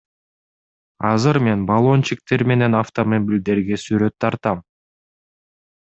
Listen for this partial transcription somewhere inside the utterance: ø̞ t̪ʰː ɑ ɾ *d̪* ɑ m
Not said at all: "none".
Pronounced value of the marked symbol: t̪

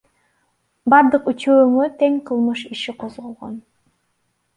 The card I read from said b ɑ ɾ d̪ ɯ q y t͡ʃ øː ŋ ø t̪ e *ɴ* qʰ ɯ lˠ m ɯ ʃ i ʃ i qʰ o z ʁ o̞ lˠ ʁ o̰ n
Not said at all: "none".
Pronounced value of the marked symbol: ŋ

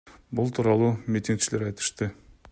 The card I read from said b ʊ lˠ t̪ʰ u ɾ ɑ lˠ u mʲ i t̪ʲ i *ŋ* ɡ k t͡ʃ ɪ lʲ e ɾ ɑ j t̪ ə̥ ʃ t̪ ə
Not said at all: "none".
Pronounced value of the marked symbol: ŋ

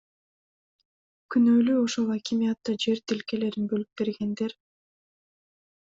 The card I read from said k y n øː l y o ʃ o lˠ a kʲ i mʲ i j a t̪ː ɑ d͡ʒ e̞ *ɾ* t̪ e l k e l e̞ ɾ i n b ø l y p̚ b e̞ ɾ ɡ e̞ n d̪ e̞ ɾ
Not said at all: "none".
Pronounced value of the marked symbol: ɾ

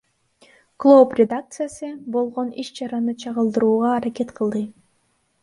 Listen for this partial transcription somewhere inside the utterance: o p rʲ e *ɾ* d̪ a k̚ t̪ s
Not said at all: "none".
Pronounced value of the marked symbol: none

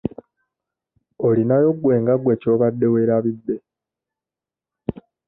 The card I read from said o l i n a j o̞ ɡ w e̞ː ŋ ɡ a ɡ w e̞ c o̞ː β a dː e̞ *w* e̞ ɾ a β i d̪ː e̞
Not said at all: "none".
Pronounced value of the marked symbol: w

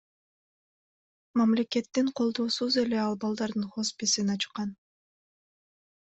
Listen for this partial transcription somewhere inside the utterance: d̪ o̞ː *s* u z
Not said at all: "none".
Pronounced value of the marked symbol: s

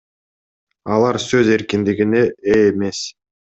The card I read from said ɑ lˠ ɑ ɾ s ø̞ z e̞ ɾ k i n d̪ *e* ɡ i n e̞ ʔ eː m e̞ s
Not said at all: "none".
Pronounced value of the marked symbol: i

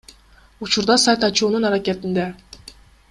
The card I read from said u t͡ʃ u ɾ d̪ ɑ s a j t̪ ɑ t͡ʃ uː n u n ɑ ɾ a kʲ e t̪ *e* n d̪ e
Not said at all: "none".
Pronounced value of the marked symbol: i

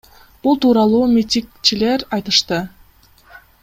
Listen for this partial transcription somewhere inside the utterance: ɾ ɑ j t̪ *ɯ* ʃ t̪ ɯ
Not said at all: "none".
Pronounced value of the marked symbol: ɯ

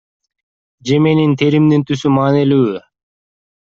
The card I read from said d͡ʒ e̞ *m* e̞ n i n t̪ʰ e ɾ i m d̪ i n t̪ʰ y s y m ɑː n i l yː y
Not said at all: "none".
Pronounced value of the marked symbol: m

